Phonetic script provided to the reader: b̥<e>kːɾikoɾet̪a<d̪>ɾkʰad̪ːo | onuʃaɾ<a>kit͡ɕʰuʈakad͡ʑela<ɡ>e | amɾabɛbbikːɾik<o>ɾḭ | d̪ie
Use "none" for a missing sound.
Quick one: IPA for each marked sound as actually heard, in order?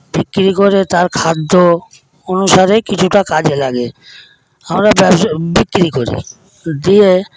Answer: i, none, e, ɡ, o

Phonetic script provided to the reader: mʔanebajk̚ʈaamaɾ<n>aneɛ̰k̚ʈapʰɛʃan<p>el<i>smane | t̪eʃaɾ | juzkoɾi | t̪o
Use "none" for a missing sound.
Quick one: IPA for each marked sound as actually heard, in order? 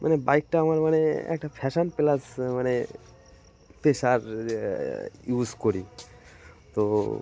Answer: m, p, a

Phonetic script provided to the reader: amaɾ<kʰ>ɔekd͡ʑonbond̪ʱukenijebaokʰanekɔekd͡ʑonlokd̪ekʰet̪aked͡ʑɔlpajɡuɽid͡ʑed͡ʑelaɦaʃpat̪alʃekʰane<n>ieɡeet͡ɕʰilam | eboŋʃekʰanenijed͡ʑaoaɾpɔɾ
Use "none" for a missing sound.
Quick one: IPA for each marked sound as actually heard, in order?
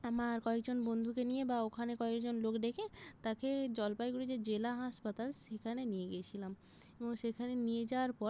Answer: k, n

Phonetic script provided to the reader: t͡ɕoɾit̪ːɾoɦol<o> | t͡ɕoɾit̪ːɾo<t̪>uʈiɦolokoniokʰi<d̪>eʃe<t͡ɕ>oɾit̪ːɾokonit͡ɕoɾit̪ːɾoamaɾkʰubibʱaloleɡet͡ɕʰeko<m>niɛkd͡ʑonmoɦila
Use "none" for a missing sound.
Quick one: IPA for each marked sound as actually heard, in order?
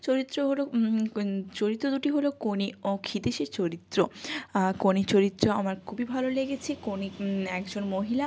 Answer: o, d̪, d̪, t͡ɕ, none

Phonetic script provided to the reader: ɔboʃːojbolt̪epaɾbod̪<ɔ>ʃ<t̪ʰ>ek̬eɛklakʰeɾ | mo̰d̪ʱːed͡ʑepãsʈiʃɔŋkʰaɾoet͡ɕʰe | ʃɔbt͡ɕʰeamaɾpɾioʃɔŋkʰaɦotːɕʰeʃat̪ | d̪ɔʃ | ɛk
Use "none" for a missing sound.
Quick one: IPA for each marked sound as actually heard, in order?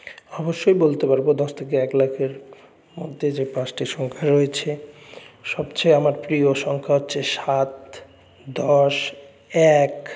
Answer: ɔ, t̪ʰ

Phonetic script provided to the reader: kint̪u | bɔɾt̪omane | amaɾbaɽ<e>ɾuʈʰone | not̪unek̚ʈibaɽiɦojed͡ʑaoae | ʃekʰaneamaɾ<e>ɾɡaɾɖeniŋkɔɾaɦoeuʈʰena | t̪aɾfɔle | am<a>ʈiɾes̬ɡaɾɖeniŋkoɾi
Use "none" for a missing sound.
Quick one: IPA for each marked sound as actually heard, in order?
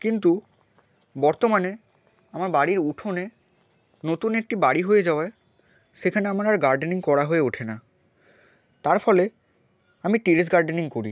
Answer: i, a, i

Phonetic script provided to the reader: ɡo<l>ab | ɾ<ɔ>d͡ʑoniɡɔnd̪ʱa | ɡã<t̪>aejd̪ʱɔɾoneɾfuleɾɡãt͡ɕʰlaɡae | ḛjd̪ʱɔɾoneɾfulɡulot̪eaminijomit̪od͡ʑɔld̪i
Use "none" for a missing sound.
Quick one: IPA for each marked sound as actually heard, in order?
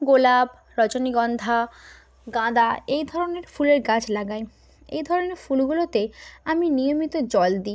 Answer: l, ɔ, d̪

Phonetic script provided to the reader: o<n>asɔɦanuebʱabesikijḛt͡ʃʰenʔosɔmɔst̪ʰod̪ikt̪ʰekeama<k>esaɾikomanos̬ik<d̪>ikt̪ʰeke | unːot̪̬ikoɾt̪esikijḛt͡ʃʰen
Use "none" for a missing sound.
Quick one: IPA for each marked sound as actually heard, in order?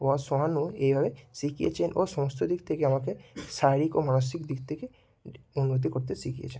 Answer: none, k, d̪

